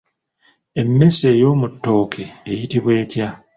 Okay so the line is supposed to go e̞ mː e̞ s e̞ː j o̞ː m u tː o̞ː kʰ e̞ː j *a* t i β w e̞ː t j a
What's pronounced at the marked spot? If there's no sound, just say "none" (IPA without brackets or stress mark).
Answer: i